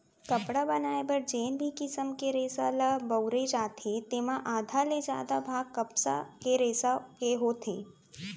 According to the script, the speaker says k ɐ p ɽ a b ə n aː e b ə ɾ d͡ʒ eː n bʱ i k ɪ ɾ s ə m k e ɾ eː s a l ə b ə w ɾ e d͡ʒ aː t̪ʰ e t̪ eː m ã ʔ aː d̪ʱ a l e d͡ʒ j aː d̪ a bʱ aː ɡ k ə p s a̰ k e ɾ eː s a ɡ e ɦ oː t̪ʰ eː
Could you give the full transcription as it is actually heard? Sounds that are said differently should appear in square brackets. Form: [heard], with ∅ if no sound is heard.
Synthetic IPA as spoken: k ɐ p ɽ a b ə n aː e b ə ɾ d͡ʒ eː n bʱ i k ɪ [∅] s ə m k e ɾ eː s a l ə b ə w ɾ e d͡ʒ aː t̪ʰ e t̪ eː m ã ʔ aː d̪ʱ a l e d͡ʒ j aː d̪ a bʱ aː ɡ k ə p s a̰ k e ɾ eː s a [k] e ɦ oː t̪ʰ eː

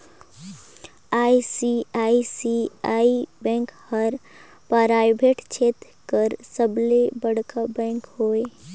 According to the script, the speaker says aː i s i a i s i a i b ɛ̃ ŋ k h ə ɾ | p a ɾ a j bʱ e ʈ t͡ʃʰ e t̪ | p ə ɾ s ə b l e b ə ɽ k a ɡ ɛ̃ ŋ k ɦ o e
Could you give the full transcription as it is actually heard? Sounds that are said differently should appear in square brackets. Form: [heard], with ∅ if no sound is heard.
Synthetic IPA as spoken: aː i s i a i s i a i b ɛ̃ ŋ k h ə ɾ | p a ɾ a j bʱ e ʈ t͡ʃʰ e t̪ | [k] ə ɾ s ə b l e b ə ɽ k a [b] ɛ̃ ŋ k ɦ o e

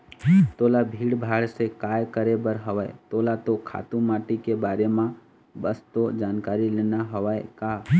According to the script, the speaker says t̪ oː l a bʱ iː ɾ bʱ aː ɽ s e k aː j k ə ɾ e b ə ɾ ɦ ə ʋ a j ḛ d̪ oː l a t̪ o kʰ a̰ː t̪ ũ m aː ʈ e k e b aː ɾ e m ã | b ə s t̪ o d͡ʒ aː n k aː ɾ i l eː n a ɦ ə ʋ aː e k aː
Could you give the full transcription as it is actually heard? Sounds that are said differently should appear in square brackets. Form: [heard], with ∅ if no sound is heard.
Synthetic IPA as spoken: t̪ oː l a bʱ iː [ɽ] bʱ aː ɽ s e k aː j k ə ɾ e b ə ɾ ɦ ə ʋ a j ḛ [t̪] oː l a t̪ o kʰ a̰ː t̪ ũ m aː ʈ [i] k e b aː ɾ e m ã | b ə s t̪ o d͡ʒ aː n k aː ɾ i l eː n a ɦ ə ʋ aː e k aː

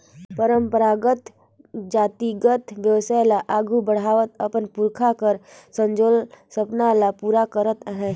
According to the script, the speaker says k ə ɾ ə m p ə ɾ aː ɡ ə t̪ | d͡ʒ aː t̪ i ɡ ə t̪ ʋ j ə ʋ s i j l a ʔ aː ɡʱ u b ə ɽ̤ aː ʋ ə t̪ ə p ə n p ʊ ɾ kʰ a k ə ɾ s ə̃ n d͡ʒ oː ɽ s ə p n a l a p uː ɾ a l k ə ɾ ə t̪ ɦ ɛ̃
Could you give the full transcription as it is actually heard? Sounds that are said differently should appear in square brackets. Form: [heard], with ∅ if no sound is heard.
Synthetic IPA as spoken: [p] ə ɾ ə m p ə ɾ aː ɡ ə t̪ | d͡ʒ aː t̪ i ɡ ə t̪ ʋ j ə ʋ s [a] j l a ʔ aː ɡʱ u b ə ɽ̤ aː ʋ ə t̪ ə p ə n p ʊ ɾ kʰ a k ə ɾ s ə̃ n d͡ʒ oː [l] s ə p n a l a p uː ɾ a [∅] k ə ɾ ə t̪ ɦ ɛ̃

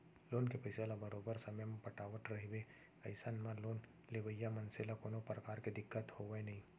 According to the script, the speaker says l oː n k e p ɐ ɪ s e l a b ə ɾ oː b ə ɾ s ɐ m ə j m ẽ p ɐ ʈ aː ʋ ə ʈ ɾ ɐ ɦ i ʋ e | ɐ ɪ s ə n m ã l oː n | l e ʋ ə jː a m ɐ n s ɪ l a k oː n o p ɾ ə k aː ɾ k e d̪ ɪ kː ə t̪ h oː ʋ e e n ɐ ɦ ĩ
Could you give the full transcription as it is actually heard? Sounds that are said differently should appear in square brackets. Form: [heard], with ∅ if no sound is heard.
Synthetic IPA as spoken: l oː n k e p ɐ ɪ s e l a b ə ɾ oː b ə ɾ s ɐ m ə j m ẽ p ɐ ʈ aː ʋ ə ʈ ɾ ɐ ɦ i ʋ e | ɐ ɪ s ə n m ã l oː n | l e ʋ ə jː a m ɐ n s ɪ l a k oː n o p ɾ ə k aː ɾ k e d̪ ɪ kː ə t̪ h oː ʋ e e n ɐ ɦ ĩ

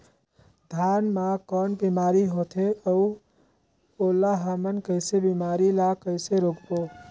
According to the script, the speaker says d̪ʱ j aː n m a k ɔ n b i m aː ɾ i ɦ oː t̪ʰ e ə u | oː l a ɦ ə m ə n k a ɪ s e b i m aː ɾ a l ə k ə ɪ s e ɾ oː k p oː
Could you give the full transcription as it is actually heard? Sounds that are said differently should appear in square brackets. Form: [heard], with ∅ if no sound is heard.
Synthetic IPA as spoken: d̪ʱ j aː n m a k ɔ n b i m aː ɾ i ɦ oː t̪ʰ e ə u | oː l a ɦ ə m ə n k [ə] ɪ s e b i m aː ɾ [i] l [a] k ə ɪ s e ɾ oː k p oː

